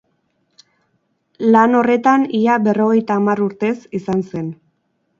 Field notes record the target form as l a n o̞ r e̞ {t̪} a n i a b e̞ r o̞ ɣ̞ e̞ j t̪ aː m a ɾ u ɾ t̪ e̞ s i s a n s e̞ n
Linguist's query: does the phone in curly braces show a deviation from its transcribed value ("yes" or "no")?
no